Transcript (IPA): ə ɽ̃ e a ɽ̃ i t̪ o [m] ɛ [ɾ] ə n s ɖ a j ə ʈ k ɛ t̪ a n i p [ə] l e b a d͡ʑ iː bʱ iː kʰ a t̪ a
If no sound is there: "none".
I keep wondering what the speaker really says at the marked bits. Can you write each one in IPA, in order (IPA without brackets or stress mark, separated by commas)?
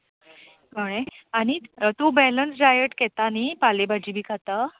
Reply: b, l, a